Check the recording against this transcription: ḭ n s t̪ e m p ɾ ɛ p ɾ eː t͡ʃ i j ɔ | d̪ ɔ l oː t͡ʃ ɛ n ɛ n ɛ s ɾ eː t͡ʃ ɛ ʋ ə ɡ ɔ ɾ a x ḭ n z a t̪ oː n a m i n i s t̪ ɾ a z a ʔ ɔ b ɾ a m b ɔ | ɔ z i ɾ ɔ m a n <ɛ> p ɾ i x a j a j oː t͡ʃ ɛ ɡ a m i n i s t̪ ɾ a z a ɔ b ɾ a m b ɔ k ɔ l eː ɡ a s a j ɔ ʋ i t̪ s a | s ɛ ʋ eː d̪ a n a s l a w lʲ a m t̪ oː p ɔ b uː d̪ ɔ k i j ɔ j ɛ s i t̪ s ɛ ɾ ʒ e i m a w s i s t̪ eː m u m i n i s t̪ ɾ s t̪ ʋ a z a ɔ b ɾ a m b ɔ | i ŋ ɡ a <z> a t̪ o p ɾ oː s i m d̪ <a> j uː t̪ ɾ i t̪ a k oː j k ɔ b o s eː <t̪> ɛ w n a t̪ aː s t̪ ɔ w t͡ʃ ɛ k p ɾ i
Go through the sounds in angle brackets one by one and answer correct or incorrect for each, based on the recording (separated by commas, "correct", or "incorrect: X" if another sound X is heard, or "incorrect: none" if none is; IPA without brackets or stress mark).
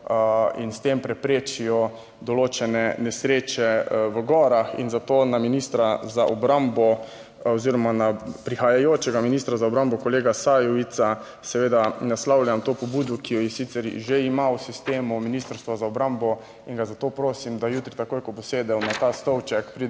incorrect: a, correct, correct, incorrect: d̪